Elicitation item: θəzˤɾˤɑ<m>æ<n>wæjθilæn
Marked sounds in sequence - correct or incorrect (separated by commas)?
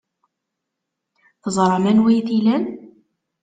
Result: correct, correct